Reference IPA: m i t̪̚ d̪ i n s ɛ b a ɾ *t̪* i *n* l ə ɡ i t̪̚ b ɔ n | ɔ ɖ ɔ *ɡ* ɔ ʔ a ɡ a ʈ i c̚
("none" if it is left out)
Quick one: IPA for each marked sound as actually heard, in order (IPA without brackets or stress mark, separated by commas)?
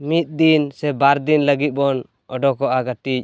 d̪, n, k